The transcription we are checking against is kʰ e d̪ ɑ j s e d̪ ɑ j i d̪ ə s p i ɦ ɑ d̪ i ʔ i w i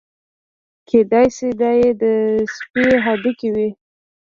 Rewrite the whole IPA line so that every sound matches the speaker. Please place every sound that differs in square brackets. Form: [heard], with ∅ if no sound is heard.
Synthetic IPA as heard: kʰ e d̪ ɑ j s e d̪ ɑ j [e] d̪ ə s p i ɦ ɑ d̪ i [k] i w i